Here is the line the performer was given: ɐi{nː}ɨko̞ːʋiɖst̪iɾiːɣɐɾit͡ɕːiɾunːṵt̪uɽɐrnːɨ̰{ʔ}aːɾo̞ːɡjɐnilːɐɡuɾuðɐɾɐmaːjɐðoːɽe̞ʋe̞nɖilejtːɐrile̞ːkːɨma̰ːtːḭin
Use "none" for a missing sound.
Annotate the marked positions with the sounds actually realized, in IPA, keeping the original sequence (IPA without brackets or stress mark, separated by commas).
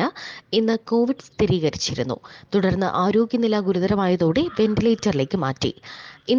nː, ʔ